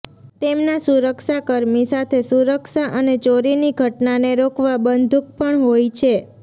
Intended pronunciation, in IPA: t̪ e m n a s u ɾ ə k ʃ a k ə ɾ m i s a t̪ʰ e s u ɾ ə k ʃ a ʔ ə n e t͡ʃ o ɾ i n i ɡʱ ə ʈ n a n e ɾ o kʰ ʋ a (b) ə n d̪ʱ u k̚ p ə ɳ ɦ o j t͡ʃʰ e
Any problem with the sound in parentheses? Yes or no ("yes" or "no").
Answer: no